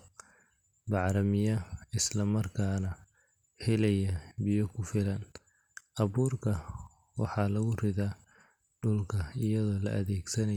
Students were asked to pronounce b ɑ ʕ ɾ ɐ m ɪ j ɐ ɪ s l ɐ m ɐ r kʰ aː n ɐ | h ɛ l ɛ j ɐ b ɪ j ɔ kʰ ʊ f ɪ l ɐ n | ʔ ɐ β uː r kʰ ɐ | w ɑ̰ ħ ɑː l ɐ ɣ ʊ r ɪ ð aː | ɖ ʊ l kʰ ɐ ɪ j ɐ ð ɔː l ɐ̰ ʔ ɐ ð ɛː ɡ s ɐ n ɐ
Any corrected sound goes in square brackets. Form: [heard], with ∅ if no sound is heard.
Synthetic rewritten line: b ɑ ʕ ɾ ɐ m ɪ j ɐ ɪ s l ɐ m ɐ r kʰ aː n ɐ | h ɛ l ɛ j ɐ b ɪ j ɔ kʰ ʊ f ɪ l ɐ n | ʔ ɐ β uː r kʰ ɐ | w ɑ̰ ħ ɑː l ɐ ɣ ʊ r ɪ ð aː | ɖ ʊ l kʰ ɐ ɪ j ɐ ð ɔː l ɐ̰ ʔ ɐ ð ɛː ɡ s ɐ n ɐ

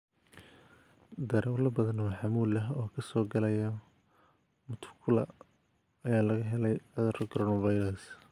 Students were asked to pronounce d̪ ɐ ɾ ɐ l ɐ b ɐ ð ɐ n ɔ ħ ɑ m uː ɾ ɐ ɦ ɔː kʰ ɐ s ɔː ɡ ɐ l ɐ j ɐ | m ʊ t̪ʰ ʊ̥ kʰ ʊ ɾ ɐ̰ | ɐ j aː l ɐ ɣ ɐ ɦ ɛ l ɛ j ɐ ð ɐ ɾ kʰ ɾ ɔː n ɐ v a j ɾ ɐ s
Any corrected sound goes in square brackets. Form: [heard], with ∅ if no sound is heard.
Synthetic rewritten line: d̪ ɐ ɾ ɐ l ɐ b ɐ ð ɐ n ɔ ħ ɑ m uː [l] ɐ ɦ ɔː kʰ ɐ s ɔː ɡ ɐ l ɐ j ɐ | m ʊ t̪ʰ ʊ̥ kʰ ʊ [l] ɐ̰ | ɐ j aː l ɐ ɣ ɐ ɦ ɛ l ɛ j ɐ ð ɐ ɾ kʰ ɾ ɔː n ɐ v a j ɾ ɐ s

